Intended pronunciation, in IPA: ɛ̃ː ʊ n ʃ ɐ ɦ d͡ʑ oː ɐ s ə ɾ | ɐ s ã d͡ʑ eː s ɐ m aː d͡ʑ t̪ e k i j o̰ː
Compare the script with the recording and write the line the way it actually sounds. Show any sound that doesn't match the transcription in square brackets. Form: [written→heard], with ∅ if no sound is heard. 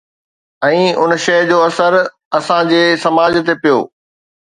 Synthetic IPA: ɛ̃ː ʊ n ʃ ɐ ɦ d͡ʑ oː ɐ s ə ɾ | ɐ s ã d͡ʑ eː s ɐ m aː d͡ʑ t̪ e [k→p] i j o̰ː